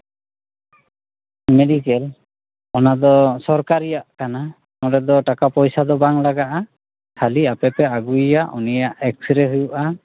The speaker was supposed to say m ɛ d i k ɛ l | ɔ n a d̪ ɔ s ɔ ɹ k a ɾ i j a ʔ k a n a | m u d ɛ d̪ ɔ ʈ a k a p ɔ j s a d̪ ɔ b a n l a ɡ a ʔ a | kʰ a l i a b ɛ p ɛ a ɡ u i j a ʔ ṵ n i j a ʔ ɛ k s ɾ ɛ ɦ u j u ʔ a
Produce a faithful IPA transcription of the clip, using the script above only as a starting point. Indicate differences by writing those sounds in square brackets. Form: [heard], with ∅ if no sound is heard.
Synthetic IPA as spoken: m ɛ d i k ɛ l | ɔ n a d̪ ɔ s ɔ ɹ k a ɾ i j a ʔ k a n a | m [ɔ] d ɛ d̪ ɔ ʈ a k a p ɔ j s a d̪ ɔ b a [ŋ] l a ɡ a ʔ a | kʰ a l i a [p] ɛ p ɛ a ɡ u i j a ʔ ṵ n i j a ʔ ɛ k s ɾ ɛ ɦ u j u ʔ a

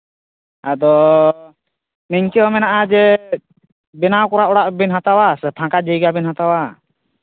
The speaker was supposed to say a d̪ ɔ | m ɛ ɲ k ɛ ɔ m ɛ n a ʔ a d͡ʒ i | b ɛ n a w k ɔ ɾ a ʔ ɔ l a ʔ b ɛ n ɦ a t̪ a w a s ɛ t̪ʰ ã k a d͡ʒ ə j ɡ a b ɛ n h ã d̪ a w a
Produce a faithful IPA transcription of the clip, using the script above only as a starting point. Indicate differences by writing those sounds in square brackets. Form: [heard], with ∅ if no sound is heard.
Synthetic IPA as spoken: a d̪ ɔ | m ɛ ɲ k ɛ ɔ m ɛ n a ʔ a d͡ʒ [ɛ] | b ɛ n a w k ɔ ɾ a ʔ ɔ [ɽ] a ʔ b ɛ n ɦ a t̪ a w a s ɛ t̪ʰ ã k a d͡ʒ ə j ɡ a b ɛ n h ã [t̪] a w a

